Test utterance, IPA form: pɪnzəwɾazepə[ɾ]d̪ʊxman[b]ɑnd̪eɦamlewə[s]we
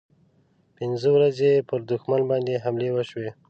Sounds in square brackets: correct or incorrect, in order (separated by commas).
correct, correct, incorrect